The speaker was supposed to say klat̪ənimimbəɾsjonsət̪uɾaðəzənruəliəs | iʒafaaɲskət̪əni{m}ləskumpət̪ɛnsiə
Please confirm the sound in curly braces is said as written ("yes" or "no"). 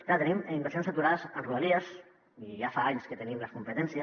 yes